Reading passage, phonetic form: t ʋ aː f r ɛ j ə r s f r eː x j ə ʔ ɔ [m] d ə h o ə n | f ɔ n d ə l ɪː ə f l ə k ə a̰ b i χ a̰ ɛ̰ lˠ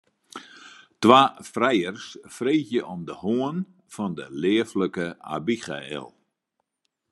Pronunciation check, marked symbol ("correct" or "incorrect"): correct